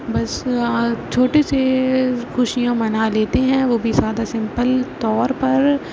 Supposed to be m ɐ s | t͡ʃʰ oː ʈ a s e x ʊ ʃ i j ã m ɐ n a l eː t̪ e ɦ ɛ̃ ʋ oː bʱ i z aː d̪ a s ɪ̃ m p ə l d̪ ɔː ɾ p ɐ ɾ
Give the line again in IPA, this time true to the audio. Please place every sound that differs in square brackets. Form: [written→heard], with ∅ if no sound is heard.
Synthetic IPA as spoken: [m→b] ɐ s | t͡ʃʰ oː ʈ [a→e] s e x ʊ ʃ i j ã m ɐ n a l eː t̪ e ɦ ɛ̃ ʋ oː bʱ i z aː d̪ a s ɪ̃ m p ə l [d̪→t̪] ɔː ɾ p ɐ ɾ